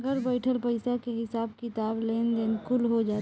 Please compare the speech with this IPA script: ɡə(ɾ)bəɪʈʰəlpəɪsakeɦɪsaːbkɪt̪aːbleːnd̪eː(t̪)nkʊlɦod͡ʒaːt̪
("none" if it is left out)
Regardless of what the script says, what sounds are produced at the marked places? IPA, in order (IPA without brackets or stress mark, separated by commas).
ɾ, none